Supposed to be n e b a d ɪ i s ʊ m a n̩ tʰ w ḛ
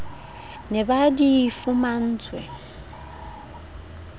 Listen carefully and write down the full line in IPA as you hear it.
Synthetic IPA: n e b a d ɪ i f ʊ m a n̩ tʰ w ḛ